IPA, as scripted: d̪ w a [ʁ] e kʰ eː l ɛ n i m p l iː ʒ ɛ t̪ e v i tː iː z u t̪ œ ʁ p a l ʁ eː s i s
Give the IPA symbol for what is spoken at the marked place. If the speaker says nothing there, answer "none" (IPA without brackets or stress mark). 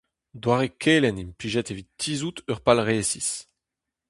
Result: ʁ